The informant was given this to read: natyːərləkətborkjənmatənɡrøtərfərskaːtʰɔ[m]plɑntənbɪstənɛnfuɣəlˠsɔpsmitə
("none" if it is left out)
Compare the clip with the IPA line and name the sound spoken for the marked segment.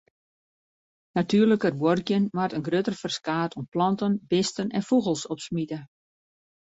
m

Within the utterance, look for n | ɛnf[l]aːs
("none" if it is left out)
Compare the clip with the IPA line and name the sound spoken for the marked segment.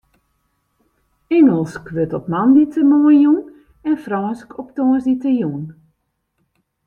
r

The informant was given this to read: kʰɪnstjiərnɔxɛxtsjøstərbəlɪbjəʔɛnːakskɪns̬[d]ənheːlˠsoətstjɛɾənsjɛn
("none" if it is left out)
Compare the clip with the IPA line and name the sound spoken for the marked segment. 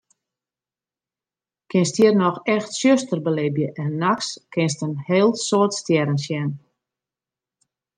t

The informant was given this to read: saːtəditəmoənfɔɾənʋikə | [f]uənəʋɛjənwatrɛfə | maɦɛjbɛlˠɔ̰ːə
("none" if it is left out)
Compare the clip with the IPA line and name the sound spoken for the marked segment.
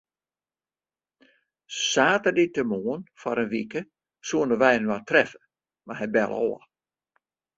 s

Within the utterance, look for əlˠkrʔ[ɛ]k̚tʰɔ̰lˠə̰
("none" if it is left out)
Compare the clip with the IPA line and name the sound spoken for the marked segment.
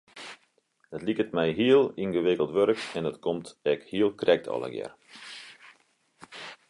ɛ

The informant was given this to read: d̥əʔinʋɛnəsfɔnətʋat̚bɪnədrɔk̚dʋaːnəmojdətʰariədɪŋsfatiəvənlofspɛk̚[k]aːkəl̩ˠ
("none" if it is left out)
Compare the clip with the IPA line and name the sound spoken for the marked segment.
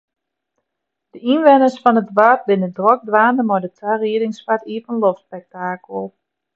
t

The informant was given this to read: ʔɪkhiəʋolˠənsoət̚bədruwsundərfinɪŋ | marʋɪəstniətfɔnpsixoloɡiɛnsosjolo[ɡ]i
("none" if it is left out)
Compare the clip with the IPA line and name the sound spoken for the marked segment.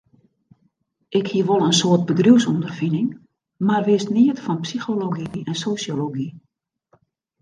ɡ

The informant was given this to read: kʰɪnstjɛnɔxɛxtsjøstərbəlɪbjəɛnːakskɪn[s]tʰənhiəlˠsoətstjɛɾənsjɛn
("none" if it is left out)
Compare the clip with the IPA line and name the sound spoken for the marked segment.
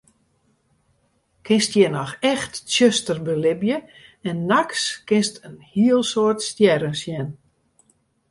s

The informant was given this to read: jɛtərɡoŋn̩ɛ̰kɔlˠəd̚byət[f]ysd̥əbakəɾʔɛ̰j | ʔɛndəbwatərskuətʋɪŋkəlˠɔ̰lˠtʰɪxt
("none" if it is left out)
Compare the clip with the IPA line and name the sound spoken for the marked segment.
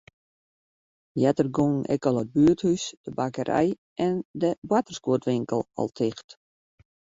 h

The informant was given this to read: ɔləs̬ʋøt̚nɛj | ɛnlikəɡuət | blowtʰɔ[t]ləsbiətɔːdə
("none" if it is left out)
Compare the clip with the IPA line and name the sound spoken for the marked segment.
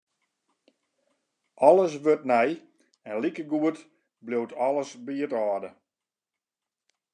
none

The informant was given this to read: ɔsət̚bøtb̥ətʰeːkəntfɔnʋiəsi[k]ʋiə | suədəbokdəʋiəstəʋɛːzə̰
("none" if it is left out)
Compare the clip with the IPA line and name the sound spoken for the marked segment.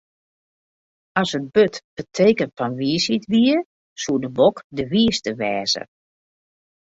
t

